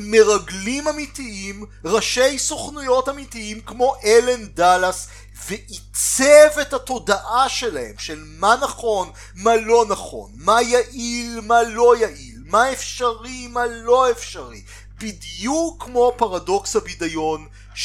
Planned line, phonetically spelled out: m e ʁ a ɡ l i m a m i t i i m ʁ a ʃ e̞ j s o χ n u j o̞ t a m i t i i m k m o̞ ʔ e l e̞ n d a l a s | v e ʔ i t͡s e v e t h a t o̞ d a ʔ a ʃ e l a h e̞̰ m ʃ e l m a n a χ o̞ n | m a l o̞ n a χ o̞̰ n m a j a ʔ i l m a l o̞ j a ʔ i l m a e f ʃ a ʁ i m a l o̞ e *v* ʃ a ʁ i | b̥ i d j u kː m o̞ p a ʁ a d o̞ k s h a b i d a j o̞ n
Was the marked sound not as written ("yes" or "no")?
yes